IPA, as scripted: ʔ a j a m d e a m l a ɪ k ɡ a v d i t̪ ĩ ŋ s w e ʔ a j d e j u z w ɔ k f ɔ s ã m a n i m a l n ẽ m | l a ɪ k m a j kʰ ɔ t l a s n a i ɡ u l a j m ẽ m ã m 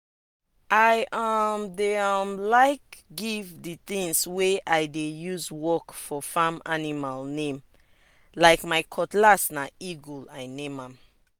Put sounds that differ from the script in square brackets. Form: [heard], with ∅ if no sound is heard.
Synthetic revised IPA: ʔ a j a m d e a m l a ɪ k ɡ [i] v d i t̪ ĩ ŋ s w e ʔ a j d e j u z w ɔ k f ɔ [f] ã m a n i m a l n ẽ m | l a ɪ k m a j kʰ ɔ t l a s n a i ɡ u l a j [n] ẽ m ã m